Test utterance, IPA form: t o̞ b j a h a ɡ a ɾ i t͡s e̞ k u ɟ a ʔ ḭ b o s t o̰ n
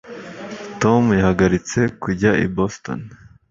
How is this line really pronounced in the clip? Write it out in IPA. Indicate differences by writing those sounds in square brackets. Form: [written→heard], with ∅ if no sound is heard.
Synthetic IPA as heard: t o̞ [b→m] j a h a ɡ a ɾ i t͡s e̞ k u ɟ a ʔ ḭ b o s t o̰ n